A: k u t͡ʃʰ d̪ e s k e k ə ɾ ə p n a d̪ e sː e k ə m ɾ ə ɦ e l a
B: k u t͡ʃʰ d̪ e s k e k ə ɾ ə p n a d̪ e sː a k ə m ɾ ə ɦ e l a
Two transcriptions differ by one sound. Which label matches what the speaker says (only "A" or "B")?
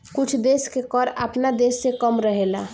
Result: A